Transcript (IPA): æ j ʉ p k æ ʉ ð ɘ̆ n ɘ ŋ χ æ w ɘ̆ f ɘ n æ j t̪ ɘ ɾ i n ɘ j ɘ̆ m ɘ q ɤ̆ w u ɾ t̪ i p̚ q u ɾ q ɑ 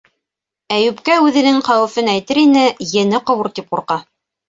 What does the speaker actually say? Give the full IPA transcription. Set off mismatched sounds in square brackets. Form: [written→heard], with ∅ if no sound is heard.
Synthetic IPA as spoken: æ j ʉ p k æ ʉ ð ɘ̆ n ɘ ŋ χ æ w ɘ̆ f ɘ n æ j t̪ ɘ ɾ i n ɘ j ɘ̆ [m→n] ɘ q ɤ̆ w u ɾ t̪ i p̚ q u ɾ q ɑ